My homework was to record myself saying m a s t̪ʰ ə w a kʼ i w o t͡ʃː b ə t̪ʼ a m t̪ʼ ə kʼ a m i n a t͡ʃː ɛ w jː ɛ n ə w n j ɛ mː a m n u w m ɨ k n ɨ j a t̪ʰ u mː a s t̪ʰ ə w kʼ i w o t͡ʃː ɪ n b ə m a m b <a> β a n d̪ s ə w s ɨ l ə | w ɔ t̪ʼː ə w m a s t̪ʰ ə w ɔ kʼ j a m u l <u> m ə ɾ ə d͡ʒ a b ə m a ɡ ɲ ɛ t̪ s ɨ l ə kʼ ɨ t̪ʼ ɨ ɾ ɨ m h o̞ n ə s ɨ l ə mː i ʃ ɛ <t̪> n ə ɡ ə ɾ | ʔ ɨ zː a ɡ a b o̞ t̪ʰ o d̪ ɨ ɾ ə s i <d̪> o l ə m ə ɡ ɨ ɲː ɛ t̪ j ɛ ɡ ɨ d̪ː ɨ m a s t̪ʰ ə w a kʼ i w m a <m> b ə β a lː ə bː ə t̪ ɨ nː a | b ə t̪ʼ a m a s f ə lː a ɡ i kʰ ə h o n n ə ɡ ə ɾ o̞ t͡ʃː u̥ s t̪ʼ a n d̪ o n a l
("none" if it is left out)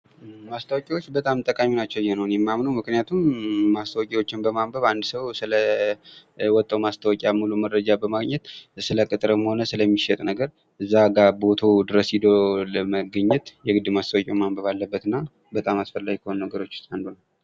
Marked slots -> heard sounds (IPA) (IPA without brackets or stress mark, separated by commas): ə, u, t̪ʼ, d̪, m